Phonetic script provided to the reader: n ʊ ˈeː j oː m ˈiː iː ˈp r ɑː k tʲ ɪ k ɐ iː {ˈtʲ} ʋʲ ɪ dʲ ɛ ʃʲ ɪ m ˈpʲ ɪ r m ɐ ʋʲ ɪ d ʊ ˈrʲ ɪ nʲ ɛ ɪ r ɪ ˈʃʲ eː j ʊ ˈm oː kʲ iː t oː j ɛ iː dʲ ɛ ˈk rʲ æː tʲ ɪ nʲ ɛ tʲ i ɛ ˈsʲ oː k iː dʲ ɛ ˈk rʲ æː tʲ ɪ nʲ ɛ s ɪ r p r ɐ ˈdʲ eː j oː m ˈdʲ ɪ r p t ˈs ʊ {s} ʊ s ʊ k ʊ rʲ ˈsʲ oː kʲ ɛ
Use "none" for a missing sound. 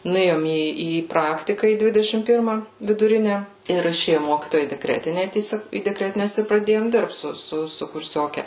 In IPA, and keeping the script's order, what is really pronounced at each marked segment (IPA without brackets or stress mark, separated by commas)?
dʲ, s